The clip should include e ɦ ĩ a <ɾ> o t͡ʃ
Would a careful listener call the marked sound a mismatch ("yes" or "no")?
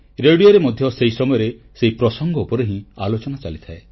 yes